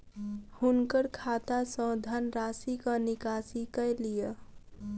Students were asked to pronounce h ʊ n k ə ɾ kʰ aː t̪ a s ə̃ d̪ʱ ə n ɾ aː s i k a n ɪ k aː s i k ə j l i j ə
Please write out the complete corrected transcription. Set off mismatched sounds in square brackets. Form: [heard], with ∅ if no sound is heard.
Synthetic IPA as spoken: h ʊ n k ə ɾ kʰ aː t̪ a s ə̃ d̪ʱ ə n ɾ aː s i k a n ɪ k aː s i k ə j l i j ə